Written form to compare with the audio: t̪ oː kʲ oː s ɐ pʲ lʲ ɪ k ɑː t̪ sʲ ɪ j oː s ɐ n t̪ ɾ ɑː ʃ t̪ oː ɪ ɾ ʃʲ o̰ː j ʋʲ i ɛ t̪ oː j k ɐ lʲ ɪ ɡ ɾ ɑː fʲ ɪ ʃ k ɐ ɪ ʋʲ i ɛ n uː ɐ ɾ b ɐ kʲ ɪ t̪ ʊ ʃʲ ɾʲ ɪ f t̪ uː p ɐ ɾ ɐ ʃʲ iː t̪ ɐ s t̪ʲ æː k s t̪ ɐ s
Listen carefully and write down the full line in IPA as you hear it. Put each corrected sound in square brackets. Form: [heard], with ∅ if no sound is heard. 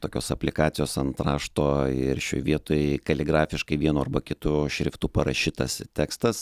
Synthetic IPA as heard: t̪ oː kʲ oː s ɐ pʲ lʲ ɪ k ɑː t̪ sʲ ɪ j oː s ɐ n t̪ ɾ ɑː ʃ t̪ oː ɪ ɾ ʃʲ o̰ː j ʋʲ i ɛ t̪ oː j k ɐ lʲ ɪ ɡ ɾ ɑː fʲ ɪ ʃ k ɐ ɪ ʋʲ i ɛ n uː ɐ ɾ b ɐ kʲ ɪ t̪ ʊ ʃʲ ɾʲ ɪ f t̪ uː p ɐ ɾ ɐ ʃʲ iː t̪ ɐ s t̪ʲ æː k s t̪ ɐ s

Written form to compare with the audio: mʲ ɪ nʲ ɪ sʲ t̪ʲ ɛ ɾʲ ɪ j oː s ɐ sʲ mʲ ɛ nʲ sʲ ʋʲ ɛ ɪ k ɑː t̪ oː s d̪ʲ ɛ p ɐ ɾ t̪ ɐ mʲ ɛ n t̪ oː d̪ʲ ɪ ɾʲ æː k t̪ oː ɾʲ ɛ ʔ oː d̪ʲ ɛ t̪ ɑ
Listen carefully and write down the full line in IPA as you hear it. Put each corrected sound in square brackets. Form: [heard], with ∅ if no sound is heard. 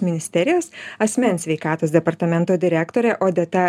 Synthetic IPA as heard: mʲ ɪ nʲ ɪ sʲ t̪ʲ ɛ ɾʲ ɪ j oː s ɐ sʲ mʲ ɛ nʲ sʲ ʋʲ ɛ ɪ k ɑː t̪ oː s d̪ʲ ɛ p ɐ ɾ t̪ ɐ mʲ ɛ n t̪ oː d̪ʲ ɪ ɾʲ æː k t̪ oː ɾʲ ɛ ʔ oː d̪ʲ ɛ t̪ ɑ

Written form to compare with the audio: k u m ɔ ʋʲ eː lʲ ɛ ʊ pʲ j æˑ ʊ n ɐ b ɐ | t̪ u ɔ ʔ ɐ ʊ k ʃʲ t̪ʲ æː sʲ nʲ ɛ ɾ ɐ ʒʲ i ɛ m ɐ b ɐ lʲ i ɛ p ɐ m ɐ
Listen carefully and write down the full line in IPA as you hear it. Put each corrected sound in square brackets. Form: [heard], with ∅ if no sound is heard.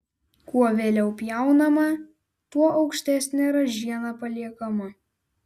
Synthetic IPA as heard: k u [∅] ɔ ʋʲ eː lʲ ɛ ʊ pʲ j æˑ ʊ n ɐ [m] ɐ | t̪ u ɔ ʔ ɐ ʊ k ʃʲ t̪ʲ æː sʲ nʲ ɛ ɾ ɐ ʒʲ i ɛ [n] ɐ [p] ɐ lʲ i ɛ [k] ɐ m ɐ

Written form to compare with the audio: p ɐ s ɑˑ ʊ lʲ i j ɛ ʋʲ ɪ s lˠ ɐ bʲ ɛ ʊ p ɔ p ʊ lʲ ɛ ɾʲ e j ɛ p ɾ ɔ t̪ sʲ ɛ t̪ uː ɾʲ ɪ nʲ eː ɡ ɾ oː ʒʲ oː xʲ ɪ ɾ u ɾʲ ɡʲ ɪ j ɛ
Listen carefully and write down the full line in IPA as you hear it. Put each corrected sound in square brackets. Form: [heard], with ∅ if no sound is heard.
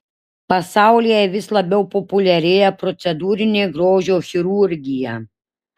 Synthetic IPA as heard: p ɐ s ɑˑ ʊ lʲ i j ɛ ʋʲ ɪ s lˠ ɐ bʲ ɛ ʊ p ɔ p ʊ lʲ ɛ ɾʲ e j ɛ p ɾ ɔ t̪ sʲ ɛ [d̪] uː ɾʲ ɪ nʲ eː ɡ ɾ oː ʒʲ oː xʲ ɪ ɾ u ɾʲ ɡʲ ɪ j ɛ

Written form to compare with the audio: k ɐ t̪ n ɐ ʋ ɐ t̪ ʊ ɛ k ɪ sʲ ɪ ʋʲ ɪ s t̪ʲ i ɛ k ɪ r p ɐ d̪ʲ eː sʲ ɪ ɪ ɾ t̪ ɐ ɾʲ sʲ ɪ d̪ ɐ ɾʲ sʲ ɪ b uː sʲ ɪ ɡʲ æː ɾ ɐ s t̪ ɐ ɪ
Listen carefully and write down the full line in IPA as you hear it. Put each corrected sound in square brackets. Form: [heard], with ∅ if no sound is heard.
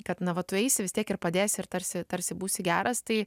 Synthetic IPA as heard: k ɐ t̪ n ɐ ʋ ɐ t̪ ʊ ɛ [∅] ɪ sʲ ɪ ʋʲ ɪ s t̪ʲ i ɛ k ɪ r p ɐ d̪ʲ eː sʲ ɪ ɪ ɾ t̪ ɐ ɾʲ sʲ ɪ [t̪] ɐ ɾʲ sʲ ɪ b uː sʲ ɪ ɡʲ æː ɾ ɐ s t̪ ɐ ɪ

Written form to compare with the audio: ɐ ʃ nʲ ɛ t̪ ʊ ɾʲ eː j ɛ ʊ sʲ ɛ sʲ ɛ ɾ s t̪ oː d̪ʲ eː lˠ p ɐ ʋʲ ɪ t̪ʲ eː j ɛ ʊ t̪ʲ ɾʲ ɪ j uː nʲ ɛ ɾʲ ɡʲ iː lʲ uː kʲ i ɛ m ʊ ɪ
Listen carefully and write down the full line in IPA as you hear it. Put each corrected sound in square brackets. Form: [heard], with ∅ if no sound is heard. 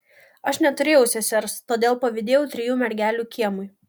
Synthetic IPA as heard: ɐ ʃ nʲ ɛ t̪ ʊ ɾʲ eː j ɛ ʊ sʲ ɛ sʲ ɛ ɾ s t̪ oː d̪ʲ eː lˠ p ɐ ʋʲ ɪ [d̪ʲ] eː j ɛ ʊ t̪ʲ ɾʲ ɪ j uː [mʲ] ɛ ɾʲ ɡʲ [æː] lʲ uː kʲ i ɛ m ʊ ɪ

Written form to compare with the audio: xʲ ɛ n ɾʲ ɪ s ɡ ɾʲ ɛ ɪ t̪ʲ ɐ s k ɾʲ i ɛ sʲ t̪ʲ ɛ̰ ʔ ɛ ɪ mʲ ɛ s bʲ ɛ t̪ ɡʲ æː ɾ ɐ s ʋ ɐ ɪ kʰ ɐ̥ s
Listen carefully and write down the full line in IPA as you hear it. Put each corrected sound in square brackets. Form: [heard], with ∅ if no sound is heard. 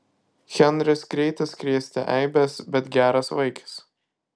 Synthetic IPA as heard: xʲ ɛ n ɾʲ ɪ s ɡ ɾʲ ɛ ɪ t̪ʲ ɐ s k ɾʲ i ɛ sʲ t̪ʲ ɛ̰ ʔ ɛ ɪ [bʲ] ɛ s bʲ ɛ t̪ ɡʲ æː ɾ ɐ s ʋ ɐ ɪ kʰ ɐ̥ s

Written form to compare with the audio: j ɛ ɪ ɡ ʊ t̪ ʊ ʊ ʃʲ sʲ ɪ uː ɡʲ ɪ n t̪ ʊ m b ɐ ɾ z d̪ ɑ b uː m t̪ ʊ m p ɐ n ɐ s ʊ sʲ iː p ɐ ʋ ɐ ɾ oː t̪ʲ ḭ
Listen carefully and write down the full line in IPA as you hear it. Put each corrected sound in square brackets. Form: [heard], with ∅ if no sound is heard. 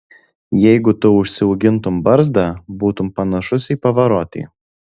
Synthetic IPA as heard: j ɛ ɪ ɡ ʊ t̪ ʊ ʊ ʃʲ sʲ ɪ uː ɡʲ ɪ n t̪ ʊ m b ɐ ɾ z d̪ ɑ b uː [∅] t̪ ʊ m p ɐ n ɐ [ʃ] ʊ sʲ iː p ɐ ʋ ɐ ɾ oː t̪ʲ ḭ

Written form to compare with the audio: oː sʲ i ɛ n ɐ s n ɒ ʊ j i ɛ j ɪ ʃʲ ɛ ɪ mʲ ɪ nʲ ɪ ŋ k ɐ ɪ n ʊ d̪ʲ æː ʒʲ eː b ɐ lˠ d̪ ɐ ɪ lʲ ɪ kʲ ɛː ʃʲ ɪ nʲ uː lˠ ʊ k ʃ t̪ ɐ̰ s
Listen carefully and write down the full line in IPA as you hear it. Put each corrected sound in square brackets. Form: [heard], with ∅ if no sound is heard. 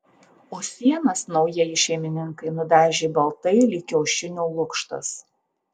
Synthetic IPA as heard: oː sʲ i ɛ n ɐ s n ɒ ʊ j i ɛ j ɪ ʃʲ ɛ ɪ mʲ ɪ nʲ ɪ ŋ k ɐ ɪ n ʊ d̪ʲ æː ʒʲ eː b ɐ lˠ [t̪] ɐ ɪ lʲ ɪ kʲ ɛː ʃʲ ɪ nʲ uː lˠ ʊ k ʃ t̪ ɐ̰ s

